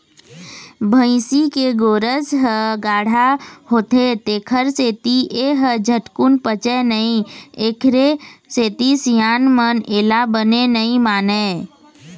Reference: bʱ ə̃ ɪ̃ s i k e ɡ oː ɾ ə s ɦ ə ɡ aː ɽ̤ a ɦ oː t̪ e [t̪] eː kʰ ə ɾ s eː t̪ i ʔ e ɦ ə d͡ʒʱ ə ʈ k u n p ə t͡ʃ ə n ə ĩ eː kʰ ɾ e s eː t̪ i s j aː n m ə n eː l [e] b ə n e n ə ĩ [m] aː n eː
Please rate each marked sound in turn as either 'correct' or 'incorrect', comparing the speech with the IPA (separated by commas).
correct, incorrect, correct